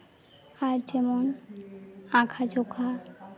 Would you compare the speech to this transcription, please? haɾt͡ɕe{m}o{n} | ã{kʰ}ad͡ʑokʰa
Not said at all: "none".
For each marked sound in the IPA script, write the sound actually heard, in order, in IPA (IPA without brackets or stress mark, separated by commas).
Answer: m, n, kʰ